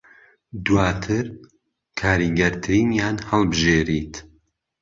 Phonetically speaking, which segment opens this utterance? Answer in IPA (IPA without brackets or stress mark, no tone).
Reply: d̪